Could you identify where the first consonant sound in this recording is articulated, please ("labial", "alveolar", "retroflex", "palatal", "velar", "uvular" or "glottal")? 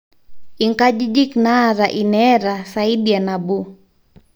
velar